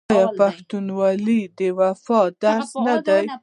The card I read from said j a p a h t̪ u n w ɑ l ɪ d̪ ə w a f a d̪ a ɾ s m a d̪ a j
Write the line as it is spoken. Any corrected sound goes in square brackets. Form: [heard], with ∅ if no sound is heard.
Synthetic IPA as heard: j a p a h t̪ u n w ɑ l [i] d̪ ə w a f [ɑ] d̪ a ɾ s [n] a d̪ a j